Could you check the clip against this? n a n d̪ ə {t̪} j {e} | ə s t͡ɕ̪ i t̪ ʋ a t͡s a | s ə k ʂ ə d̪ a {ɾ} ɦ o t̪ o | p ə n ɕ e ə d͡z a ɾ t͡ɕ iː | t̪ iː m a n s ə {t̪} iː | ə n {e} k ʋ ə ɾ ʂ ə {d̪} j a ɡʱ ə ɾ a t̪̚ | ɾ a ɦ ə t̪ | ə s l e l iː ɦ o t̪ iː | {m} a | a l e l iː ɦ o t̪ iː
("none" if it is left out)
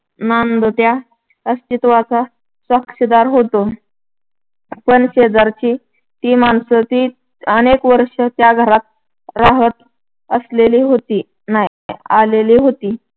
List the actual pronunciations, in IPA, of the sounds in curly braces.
t̪, a, ɾ, t̪, e, t̪, n

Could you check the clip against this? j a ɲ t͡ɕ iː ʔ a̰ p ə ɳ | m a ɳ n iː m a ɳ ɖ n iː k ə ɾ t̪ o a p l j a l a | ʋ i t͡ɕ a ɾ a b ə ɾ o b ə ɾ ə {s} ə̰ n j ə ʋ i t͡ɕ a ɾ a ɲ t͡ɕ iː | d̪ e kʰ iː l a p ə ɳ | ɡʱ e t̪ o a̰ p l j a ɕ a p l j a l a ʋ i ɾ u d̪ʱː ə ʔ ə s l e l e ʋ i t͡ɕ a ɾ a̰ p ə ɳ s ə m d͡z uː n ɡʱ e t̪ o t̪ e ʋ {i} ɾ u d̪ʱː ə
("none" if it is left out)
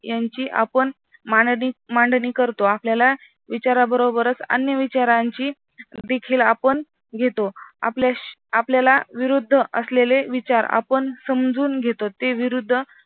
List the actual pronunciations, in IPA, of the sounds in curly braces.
t͡s, i

